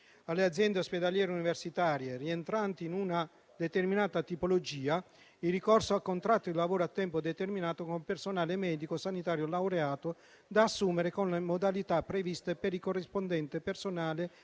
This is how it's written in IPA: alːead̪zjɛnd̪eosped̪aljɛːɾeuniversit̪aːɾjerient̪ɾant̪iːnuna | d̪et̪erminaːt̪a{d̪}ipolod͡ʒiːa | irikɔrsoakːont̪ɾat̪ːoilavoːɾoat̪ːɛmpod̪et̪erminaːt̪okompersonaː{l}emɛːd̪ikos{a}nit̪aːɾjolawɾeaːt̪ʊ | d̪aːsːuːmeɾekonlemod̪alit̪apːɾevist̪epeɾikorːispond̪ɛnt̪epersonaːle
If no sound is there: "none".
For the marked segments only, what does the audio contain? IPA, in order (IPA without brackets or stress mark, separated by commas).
t̪, l, a